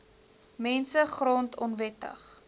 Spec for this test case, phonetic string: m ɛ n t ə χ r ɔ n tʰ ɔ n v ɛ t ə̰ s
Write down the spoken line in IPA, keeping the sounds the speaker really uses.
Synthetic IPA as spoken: m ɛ n s ə χ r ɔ n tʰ ɔ n v ɛ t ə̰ χ